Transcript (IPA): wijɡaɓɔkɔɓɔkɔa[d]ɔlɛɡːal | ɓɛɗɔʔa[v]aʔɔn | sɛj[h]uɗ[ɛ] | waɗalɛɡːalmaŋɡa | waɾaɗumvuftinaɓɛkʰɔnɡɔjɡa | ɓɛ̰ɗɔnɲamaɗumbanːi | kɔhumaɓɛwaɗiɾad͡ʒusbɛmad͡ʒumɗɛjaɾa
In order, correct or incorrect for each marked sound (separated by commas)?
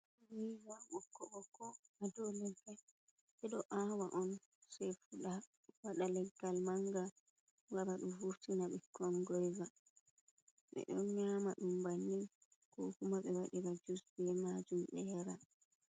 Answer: correct, incorrect, incorrect, incorrect